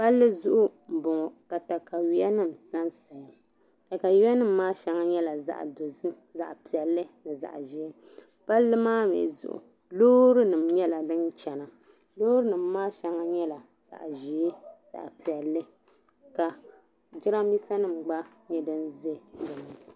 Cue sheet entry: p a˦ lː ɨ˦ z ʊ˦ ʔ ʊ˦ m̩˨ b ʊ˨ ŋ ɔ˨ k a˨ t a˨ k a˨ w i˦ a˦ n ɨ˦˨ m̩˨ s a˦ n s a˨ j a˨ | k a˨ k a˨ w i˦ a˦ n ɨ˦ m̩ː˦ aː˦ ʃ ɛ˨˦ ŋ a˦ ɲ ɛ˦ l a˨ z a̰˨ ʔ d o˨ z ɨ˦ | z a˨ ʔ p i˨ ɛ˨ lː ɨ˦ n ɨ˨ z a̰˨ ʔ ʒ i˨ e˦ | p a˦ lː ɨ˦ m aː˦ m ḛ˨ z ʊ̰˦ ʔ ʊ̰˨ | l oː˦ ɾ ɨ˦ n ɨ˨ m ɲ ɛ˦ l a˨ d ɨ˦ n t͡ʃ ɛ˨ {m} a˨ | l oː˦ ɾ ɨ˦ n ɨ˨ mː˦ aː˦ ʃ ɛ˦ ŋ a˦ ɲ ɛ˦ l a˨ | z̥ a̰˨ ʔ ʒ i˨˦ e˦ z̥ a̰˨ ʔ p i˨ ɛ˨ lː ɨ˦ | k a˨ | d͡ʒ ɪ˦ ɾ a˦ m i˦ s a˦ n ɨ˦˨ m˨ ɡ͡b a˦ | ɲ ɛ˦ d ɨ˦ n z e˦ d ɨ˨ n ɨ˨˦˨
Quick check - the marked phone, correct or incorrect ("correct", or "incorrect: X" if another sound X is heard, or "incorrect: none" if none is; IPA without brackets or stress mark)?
incorrect: n